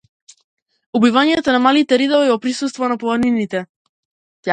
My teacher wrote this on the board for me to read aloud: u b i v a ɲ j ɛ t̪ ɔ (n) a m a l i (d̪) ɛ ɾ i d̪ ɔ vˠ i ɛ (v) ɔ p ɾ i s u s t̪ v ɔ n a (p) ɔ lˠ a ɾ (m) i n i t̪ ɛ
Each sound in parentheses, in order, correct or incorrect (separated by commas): correct, incorrect, correct, correct, incorrect